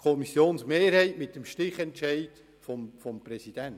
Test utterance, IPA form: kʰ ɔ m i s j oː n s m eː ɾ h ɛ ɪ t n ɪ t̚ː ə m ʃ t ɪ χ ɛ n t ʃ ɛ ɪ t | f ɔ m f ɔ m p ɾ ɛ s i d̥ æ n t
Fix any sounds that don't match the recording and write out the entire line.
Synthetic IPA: kʰ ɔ m i s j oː n s m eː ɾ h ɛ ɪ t m ɪ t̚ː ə m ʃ t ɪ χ ɛ n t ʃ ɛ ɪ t | f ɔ m f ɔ m p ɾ ɛ s i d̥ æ n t